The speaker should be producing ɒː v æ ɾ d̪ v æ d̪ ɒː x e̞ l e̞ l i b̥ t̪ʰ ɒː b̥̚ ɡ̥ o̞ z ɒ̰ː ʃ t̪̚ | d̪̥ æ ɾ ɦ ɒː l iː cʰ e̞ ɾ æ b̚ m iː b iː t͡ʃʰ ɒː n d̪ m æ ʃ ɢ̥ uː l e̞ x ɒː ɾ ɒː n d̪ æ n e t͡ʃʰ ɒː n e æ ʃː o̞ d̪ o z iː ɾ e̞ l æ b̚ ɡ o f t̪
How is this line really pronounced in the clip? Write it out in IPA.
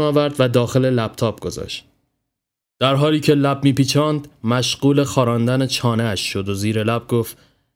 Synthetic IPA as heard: ɒː v æ ɾ d̪ v æ d̪ ɒː x e̞ l e̞ l æ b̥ t̪ʰ ɒː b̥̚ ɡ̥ o̞ z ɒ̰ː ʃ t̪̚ | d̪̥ æ ɾ ɦ ɒː l iː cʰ e̞ l æ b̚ m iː p iː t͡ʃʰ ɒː n d̪ m æ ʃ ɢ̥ uː l e̞ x ɒː ɾ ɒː n d̪ æ n e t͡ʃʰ ɒː n e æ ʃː o̞ d̪ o z iː ɾ e̞ l æ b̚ ɡ o f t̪